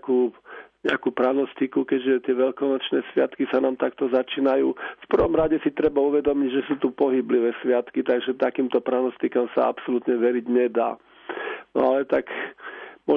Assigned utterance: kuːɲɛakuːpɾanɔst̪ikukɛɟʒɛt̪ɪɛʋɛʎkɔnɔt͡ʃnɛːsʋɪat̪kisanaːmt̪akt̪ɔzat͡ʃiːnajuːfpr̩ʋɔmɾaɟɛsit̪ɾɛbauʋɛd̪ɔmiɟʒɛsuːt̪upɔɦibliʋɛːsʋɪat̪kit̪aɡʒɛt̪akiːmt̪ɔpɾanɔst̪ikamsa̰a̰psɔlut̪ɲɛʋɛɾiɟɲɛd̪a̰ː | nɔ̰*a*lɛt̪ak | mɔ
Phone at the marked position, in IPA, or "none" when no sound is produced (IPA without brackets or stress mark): a